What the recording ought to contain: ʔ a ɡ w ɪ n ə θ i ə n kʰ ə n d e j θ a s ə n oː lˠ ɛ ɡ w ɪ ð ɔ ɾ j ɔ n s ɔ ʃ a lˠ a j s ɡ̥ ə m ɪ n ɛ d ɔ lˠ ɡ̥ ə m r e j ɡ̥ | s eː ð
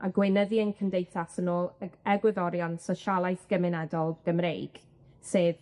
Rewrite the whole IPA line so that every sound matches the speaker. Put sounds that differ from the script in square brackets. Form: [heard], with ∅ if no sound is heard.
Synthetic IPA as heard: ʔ a ɡ w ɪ n ə [ð] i ə n kʰ ə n d e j θ a s ə n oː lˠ ɛ ɡ w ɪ ð ɔ ɾ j ɔ n s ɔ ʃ a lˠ a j [θ] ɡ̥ ə m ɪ n ɛ d ɔ lˠ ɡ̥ ə m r e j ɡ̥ | s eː ð